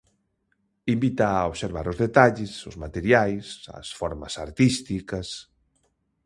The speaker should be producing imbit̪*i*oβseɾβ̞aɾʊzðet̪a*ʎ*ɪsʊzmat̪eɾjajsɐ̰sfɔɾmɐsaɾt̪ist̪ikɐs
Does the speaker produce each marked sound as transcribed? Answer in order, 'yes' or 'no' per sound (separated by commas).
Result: no, yes